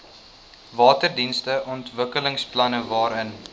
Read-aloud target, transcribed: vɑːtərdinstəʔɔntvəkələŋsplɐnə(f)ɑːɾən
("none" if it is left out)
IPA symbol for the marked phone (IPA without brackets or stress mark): v